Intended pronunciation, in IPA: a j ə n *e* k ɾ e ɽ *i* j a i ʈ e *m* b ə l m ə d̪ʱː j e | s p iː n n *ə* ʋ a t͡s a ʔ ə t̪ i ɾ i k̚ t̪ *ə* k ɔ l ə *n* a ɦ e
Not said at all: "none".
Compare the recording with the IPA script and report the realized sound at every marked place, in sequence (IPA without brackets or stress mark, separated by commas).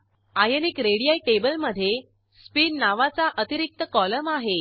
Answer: i, i, none, a, ə, m